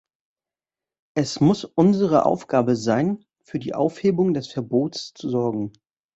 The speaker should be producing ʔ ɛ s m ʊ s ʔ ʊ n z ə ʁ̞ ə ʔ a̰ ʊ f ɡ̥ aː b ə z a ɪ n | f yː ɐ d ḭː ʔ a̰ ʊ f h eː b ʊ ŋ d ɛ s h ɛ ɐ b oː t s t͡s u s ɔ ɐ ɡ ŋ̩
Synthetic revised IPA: ʔ ɛ s m ʊ s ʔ ʊ n z ə ʁ̞ ə ʔ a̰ ʊ f ɡ̥ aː b ə z a ɪ n | f yː ɐ d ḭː ʔ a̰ ʊ f h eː b ʊ ŋ d ɛ s f ɛ ɐ b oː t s t͡s u z ɔ ɐ ɡ ŋ̩